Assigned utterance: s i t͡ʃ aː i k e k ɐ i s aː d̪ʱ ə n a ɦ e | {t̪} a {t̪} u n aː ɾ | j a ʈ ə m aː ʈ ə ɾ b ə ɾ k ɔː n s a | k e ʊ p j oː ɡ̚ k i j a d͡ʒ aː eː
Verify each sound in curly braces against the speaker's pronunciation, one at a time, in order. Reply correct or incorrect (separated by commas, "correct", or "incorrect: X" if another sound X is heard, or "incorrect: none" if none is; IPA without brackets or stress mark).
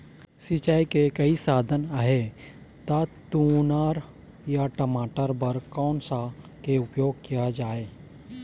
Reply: correct, correct